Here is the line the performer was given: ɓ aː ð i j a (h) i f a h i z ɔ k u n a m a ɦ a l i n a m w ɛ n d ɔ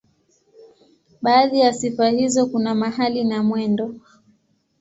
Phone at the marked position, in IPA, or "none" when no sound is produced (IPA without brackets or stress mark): s